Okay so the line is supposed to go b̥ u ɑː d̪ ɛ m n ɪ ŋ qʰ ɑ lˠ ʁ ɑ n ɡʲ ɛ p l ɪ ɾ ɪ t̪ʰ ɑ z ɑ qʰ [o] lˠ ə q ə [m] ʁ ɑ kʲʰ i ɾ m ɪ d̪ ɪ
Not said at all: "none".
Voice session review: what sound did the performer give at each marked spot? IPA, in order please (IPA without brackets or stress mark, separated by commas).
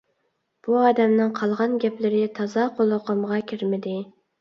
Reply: o, m